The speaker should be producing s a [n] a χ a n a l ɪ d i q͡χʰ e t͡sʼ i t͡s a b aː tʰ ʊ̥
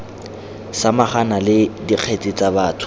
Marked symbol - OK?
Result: no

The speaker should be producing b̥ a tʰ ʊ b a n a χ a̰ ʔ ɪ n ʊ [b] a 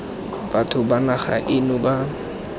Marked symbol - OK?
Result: yes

